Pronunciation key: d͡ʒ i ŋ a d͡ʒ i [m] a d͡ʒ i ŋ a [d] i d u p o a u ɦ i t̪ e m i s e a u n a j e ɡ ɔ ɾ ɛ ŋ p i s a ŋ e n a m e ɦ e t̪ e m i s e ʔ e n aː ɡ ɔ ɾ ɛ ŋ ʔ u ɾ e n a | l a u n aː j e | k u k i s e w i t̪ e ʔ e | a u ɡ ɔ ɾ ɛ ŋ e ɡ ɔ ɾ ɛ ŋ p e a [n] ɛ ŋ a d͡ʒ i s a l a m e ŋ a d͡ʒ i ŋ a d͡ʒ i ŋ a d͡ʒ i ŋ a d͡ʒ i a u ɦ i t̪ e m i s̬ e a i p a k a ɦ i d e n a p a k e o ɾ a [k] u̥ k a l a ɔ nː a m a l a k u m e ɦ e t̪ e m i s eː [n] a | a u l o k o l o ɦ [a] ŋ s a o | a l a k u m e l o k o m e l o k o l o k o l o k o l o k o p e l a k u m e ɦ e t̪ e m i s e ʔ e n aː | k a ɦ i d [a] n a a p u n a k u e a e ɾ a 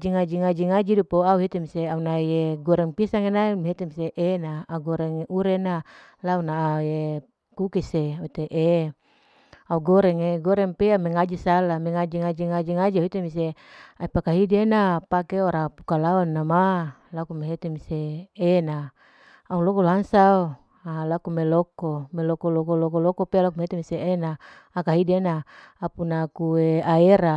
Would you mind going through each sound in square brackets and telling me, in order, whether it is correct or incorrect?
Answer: incorrect, incorrect, incorrect, incorrect, correct, correct, incorrect

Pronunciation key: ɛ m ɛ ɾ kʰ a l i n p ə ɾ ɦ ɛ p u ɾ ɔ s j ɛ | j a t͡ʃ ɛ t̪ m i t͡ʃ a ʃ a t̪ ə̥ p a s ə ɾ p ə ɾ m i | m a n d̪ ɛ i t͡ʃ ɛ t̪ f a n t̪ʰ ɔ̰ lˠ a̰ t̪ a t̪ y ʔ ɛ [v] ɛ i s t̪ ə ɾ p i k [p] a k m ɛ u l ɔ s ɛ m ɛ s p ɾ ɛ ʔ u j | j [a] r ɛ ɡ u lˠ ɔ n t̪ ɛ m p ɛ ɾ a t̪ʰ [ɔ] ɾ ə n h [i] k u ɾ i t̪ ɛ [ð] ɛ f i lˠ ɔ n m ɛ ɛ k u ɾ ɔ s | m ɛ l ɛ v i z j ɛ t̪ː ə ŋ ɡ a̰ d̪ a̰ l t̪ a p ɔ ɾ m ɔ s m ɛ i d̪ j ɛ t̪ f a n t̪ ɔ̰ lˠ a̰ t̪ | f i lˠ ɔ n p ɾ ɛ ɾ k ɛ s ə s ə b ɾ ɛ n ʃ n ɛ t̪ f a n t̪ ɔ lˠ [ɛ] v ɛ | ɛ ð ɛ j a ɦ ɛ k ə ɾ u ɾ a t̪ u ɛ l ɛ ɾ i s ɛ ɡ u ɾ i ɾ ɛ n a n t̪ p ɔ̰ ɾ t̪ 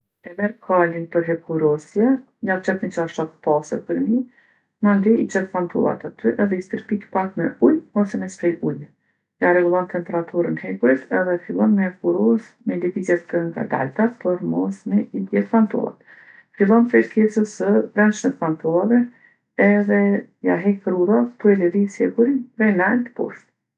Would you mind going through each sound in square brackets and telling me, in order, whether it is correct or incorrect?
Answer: incorrect, correct, correct, incorrect, incorrect, correct, incorrect

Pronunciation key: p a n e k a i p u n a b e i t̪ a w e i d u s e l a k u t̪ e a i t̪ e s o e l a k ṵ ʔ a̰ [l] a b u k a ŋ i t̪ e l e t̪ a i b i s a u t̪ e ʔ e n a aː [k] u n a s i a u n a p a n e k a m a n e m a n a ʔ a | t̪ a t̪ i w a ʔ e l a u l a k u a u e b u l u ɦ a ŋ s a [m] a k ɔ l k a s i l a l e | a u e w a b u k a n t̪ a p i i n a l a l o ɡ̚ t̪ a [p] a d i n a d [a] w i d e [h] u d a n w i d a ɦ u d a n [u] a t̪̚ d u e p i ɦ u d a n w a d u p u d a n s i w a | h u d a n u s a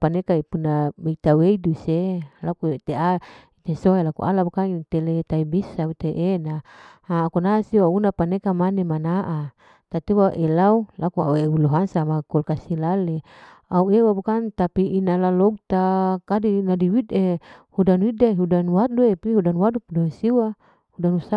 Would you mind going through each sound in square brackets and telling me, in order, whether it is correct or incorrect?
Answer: correct, correct, correct, incorrect, incorrect, correct, incorrect

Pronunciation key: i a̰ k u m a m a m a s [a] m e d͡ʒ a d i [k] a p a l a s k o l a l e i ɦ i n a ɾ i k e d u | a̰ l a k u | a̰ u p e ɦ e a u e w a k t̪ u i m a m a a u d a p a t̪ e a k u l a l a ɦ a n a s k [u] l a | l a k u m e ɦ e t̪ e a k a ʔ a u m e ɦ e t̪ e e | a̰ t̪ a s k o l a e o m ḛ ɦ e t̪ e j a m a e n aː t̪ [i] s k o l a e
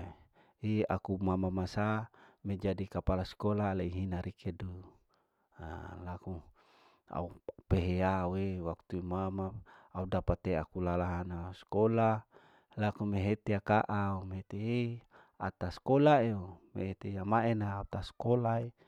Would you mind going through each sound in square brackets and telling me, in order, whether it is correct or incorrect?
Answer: correct, correct, incorrect, incorrect

